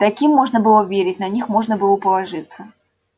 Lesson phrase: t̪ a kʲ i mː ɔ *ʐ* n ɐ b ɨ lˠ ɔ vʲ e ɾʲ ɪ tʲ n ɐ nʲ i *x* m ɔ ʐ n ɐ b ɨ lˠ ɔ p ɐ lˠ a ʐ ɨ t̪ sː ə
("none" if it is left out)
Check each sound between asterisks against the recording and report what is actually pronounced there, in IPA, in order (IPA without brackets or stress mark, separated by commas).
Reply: ʐ, x